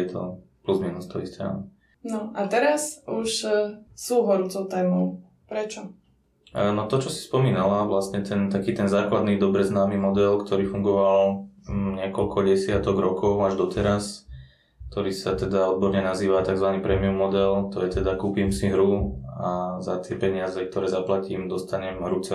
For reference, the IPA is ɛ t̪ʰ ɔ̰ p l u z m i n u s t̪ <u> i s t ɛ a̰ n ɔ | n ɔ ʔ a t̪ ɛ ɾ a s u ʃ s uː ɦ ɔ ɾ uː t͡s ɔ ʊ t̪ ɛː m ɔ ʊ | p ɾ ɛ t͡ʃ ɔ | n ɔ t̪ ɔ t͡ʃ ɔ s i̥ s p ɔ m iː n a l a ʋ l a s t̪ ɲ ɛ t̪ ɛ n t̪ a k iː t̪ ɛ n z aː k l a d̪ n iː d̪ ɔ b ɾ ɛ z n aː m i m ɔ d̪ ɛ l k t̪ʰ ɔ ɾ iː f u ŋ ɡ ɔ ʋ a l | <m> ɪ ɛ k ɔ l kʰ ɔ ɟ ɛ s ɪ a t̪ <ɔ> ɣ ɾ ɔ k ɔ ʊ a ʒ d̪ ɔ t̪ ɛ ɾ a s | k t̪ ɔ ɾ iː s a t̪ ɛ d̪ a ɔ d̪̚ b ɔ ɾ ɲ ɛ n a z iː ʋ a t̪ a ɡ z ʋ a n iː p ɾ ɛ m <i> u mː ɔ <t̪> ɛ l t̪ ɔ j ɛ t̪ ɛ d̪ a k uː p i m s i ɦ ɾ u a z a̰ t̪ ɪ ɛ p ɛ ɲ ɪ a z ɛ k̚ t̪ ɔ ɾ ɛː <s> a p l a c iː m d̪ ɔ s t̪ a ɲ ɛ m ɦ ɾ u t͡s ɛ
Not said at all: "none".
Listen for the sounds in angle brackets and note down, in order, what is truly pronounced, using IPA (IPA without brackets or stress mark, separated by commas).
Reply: ɔ, ɲ, ɔ, i, d̪, z